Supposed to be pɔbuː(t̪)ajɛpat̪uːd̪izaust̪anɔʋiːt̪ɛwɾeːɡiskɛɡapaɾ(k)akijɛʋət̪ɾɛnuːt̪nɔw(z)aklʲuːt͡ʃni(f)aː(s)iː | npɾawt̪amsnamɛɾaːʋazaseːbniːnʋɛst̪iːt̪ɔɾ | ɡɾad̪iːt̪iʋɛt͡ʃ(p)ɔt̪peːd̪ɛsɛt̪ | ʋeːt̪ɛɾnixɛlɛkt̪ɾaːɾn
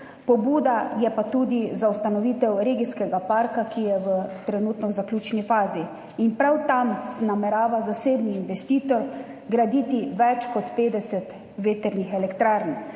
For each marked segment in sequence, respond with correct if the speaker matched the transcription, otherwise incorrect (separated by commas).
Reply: incorrect, correct, correct, correct, incorrect, incorrect